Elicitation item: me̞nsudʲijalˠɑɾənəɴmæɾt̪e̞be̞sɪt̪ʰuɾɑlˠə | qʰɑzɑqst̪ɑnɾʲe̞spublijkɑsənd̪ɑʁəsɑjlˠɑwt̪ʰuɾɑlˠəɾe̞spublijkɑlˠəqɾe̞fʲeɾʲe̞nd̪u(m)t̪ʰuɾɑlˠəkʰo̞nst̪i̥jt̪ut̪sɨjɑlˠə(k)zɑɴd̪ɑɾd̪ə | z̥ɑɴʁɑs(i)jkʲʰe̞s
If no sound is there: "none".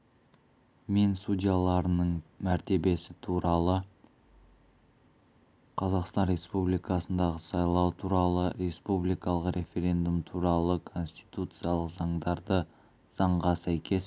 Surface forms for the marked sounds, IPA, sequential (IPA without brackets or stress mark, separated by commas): m, q, æ